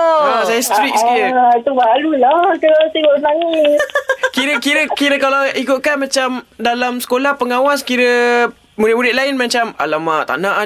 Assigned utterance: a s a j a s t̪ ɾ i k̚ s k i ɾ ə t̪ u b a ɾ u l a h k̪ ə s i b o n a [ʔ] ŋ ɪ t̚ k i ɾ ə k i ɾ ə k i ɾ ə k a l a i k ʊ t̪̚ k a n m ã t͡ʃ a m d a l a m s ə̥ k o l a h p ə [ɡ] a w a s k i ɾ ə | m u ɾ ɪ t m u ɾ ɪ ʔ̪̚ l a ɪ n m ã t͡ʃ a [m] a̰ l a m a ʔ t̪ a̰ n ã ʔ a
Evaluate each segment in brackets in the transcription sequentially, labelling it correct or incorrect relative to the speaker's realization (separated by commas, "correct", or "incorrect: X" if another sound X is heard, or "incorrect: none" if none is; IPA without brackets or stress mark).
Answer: incorrect: none, incorrect: ŋ, correct